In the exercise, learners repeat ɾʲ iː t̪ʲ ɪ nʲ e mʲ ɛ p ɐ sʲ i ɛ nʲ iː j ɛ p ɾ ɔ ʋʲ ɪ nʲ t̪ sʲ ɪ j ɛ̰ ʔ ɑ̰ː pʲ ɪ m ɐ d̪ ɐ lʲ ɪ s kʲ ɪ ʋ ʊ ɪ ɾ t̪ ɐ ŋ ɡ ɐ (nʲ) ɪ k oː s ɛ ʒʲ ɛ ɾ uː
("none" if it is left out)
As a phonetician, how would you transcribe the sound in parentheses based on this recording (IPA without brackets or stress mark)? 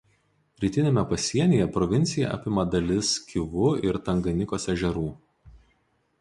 nʲ